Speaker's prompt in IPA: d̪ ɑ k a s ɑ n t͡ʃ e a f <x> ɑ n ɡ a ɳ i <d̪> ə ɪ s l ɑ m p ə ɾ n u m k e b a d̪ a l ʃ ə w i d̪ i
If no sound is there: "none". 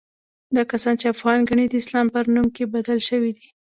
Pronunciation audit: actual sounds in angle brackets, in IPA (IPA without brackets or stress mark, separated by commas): ɣ, d̪